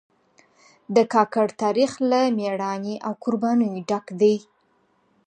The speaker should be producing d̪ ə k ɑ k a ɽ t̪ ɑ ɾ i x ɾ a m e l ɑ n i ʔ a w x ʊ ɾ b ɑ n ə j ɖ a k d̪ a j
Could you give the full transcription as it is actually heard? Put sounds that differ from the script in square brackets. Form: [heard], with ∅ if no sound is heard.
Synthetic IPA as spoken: d̪ ə k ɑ k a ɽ t̪ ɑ ɾ i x [l] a m e [ɽ] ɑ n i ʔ a w [k] ʊ ɾ b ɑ n ə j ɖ a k d̪ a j